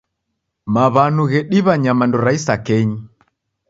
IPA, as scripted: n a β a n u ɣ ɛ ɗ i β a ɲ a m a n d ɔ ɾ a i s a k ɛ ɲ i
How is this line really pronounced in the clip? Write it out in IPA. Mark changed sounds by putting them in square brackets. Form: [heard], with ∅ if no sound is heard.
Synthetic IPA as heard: [m] a β a n u ɣ ɛ ɗ i β a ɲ a m a n d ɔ ɾ a i s a k ɛ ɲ i